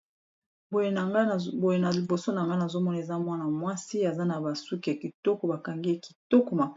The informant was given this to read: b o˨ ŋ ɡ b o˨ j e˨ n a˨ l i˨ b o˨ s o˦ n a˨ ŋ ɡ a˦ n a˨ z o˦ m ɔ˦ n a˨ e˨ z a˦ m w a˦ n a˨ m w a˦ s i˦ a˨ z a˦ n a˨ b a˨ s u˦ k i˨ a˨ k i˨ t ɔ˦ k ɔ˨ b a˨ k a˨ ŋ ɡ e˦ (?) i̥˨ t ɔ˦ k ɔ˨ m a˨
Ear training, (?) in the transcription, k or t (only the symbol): k